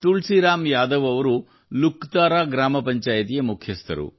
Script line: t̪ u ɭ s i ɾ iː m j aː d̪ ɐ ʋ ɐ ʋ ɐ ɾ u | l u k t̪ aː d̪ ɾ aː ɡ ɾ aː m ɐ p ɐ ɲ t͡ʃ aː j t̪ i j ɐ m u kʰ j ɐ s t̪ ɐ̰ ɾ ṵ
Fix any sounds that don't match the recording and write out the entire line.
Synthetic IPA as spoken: t̪ u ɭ s i ɾ aː m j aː d̪ ɐ ʋ ɐ ʋ ɐ ɾ u | l u k t̪ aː ɾ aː ɡ ɾ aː m ɐ p ɐ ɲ t͡ʃ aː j t̪ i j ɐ m u kʰ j ɐ s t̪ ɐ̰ ɾ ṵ